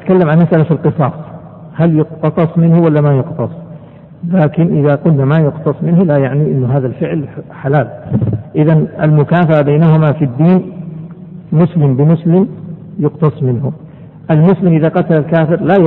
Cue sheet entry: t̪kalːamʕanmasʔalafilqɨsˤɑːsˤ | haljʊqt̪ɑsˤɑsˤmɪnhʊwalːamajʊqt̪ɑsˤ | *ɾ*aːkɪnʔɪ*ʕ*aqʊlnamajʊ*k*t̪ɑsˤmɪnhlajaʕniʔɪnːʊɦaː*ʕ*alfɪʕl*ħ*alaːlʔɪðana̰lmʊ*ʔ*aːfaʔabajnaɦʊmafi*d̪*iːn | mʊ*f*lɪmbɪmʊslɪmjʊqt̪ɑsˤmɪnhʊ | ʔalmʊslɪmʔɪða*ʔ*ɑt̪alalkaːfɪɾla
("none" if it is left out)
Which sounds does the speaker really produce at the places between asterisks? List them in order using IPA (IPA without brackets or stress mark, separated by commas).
l, ð, q, ð, ħ, k, d̪ː, s, q